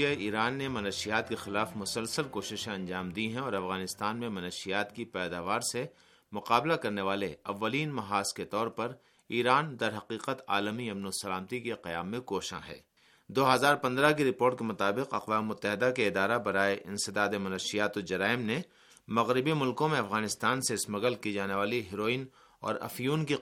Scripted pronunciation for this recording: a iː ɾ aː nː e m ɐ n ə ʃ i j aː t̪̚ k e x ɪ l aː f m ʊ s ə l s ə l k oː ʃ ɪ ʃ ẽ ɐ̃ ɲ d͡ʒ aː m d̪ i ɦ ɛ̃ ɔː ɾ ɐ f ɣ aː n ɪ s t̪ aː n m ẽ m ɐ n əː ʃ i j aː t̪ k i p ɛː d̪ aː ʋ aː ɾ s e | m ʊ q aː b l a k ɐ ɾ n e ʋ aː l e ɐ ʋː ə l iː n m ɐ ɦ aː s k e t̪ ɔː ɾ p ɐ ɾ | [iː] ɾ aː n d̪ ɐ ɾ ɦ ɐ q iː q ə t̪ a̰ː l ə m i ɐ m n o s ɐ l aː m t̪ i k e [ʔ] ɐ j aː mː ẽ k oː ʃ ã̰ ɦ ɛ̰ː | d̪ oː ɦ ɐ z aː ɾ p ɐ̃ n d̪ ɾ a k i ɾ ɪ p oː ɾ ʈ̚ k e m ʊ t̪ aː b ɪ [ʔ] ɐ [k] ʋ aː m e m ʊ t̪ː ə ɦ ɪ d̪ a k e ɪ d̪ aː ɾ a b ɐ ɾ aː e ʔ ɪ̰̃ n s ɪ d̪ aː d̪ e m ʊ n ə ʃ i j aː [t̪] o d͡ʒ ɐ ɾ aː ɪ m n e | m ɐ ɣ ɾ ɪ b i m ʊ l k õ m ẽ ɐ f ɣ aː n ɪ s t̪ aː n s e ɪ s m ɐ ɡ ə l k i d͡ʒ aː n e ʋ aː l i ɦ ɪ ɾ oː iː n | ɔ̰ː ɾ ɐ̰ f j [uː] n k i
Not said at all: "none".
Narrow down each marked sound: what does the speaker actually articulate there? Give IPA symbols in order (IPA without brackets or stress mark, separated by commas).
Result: iː, q, q, q, t̪, uː